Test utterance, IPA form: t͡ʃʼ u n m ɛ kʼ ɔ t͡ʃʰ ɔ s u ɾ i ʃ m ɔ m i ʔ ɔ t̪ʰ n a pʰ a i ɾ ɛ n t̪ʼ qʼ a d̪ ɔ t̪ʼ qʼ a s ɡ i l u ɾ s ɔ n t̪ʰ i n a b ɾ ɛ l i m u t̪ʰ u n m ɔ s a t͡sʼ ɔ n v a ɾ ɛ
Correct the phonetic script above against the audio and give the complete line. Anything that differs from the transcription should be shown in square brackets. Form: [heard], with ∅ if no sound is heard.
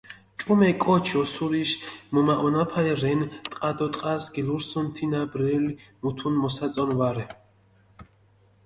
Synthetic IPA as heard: t͡ʃʼ u [∅] m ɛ kʼ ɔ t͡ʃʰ ɔ s u ɾ i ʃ m ɔ m [a] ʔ ɔ [∅] n a pʰ a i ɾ ɛ n t̪ʼ qʼ a d̪ ɔ t̪ʼ qʼ a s ɡ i l u ɾ s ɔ n t̪ʰ i n a b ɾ ɛ l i m u t̪ʰ u n m ɔ s a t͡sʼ ɔ n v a ɾ ɛ